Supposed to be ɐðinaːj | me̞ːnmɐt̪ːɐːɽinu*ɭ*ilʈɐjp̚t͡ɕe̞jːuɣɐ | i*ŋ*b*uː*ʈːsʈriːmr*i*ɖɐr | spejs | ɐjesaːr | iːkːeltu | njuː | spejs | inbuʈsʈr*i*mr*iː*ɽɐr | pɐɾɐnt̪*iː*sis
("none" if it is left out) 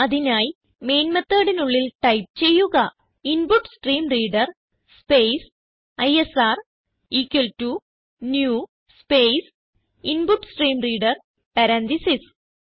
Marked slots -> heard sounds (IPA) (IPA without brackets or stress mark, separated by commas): ɭː, n, u, iː, iː, iː, i